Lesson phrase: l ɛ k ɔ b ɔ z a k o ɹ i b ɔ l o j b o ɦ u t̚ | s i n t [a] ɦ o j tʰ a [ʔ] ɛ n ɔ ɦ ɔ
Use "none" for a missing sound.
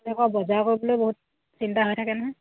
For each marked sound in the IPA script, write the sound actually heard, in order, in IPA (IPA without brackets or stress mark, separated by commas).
a, k